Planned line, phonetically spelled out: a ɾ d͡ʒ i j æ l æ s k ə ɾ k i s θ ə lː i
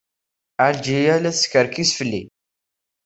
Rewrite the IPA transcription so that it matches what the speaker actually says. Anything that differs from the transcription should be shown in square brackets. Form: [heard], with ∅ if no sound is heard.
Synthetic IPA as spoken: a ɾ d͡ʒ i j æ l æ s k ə ɾ k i s [f] ə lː i